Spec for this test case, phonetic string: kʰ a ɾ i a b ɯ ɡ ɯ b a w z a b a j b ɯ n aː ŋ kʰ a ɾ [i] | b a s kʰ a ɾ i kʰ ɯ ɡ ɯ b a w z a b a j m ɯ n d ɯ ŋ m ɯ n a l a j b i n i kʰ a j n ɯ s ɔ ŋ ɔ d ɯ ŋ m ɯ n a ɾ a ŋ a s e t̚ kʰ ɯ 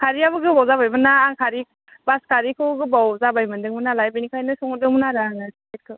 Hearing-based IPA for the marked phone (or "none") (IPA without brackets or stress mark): i